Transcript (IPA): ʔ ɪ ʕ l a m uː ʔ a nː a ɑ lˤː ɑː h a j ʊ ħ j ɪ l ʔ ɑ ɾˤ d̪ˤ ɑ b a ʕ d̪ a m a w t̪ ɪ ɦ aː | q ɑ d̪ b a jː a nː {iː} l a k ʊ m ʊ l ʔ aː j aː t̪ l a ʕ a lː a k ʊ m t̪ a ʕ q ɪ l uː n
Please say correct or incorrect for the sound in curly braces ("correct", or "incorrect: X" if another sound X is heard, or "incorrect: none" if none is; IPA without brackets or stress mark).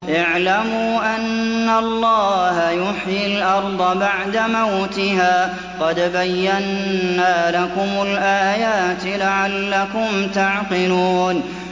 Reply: incorrect: aː